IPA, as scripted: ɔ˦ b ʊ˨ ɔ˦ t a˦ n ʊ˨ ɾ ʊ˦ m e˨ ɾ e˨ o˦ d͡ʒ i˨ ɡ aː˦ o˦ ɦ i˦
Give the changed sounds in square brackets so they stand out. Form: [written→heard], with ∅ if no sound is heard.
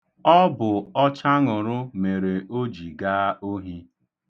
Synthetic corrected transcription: ɔ˦ b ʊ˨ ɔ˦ [t→t͡ʃ] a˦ [n→ŋ] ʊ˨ ɾ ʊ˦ m e˨ ɾ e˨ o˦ d͡ʒ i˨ ɡ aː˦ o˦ ɦ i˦